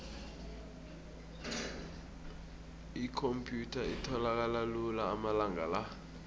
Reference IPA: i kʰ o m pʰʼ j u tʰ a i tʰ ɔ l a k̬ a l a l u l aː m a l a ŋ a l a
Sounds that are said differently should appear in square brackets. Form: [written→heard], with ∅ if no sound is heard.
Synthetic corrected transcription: i kʰ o m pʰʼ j u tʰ a i tʰ ɔ l a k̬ a l a l u l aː m a l a ŋ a l a